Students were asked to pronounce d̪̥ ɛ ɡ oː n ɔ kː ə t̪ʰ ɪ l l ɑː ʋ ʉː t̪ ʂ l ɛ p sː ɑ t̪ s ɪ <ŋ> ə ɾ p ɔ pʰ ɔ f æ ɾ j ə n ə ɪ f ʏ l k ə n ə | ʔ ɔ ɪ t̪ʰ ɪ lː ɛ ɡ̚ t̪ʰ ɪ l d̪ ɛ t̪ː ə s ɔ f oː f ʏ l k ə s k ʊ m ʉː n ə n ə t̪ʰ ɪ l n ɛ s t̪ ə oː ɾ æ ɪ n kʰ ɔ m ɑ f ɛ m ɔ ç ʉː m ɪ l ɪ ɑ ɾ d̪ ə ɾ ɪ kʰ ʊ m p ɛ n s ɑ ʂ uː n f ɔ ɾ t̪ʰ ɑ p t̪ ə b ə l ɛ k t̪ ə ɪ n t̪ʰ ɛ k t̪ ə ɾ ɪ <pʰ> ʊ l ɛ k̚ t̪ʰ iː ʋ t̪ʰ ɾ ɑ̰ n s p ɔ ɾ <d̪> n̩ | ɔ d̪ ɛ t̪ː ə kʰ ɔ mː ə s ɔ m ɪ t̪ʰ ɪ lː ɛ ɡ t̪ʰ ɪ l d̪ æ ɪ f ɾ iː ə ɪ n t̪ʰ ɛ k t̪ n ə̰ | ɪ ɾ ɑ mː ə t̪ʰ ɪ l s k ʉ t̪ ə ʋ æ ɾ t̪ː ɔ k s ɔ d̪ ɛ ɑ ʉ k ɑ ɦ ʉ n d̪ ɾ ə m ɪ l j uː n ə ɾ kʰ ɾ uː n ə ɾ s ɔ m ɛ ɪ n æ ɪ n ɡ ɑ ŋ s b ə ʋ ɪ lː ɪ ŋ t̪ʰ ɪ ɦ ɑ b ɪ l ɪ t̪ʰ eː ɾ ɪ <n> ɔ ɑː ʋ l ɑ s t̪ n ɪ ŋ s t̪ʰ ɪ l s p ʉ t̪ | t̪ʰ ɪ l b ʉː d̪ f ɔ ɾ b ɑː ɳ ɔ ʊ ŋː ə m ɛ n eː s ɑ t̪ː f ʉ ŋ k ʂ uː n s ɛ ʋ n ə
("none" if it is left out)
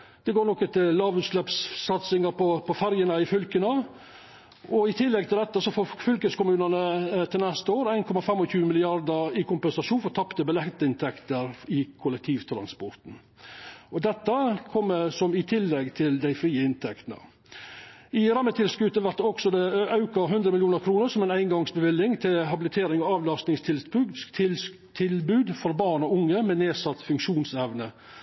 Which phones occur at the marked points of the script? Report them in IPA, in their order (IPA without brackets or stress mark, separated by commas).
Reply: ŋ, kʰ, t̪, ŋ